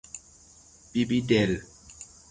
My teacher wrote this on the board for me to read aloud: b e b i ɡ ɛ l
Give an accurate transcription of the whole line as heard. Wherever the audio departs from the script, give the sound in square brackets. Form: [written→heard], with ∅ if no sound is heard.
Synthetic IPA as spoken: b [e→i] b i [ɡ→d] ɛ l